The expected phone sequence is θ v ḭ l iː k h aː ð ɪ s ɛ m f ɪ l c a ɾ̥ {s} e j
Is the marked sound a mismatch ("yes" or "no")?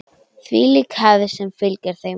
yes